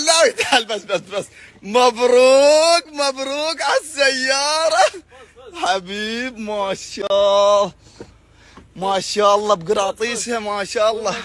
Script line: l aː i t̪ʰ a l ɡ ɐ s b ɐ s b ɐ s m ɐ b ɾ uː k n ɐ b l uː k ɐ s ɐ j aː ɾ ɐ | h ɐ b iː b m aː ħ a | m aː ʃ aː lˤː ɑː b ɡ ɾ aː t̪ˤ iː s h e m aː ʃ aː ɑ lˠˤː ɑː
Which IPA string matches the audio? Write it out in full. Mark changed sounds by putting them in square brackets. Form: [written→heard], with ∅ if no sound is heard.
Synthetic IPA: l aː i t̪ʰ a l [ɡ→b] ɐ s b ɐ s b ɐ s m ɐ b ɾ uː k [n→m] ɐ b [l→ɾ] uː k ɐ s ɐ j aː ɾ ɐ | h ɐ b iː b m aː [ħ→ʃ] a | m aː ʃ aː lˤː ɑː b ɡ ɾ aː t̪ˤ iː s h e m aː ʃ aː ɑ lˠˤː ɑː